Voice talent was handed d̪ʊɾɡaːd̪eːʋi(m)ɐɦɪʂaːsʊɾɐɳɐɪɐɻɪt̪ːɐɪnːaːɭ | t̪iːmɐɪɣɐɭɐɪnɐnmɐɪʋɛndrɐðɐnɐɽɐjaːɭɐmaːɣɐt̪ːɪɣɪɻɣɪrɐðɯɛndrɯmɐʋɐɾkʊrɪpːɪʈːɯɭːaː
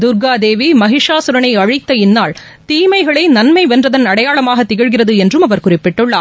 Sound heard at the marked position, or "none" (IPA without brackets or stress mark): m